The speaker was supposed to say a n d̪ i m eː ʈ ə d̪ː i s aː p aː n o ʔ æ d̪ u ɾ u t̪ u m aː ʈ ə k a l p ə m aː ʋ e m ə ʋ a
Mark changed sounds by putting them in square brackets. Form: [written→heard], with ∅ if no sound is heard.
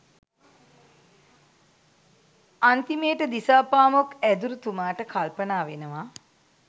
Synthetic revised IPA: a n [d̪→t̪] i m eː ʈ ə [d̪ː→d̪] i s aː p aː [n→m] o [ʔ→k] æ d̪ u ɾ u t̪ u m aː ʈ ə k a l p ə [m→n] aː ʋ e [m→n] ə ʋ a